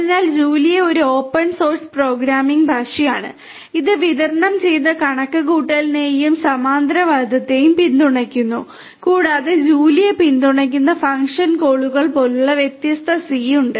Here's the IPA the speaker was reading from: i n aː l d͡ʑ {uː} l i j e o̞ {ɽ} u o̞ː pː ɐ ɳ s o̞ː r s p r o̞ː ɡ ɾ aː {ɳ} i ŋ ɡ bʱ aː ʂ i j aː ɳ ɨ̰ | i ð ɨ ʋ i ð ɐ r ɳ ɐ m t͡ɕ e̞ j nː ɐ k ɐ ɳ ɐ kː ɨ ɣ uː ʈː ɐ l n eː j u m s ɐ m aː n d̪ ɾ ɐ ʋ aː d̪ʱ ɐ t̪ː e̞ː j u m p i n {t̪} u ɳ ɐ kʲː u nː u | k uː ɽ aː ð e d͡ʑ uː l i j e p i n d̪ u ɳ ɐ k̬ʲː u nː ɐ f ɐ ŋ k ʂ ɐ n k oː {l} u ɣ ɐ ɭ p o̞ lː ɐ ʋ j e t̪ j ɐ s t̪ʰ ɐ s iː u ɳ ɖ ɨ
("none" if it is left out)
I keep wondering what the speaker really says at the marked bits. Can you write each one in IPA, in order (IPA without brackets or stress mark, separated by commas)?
uː, ɾ, m, d̪, ɭ